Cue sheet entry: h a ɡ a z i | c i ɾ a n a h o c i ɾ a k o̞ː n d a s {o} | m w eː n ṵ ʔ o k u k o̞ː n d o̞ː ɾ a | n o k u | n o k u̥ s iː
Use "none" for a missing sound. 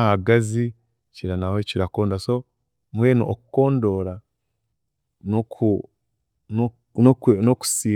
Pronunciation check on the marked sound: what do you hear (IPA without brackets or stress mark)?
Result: o